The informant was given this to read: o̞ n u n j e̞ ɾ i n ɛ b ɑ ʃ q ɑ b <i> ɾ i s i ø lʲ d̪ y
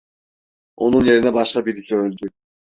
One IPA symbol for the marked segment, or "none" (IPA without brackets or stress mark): i